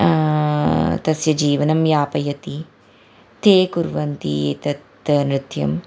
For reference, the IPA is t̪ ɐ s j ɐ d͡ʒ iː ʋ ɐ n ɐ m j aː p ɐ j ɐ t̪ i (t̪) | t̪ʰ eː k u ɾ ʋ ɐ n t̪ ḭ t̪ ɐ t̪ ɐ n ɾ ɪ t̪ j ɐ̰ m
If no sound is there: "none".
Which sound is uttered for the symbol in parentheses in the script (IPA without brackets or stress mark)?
none